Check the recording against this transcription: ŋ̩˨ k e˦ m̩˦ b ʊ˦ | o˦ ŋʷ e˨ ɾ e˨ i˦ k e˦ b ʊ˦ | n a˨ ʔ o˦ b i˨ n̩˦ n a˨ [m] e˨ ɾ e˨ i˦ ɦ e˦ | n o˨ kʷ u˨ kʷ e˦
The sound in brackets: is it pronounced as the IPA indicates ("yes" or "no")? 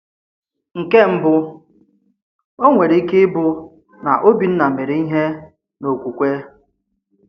yes